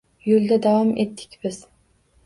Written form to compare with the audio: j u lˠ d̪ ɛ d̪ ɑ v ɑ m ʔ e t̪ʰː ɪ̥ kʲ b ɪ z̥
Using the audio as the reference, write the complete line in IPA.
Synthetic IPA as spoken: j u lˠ d̪ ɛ d̪ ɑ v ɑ m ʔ e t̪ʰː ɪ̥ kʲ b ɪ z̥